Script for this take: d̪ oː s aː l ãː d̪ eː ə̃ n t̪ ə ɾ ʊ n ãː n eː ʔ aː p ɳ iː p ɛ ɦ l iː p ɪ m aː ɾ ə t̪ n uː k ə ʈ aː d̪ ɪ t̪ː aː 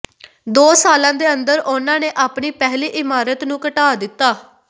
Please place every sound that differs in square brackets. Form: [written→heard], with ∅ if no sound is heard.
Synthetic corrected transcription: d̪ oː s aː l ãː d̪ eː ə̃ n [t̪→d̪] ə ɾ ʊ n ãː n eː ʔ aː p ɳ iː p ɛ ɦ l iː [p→ʔ] ɪ m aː ɾ ə t̪ n [uː→ũː] k ə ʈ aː d̪ ɪ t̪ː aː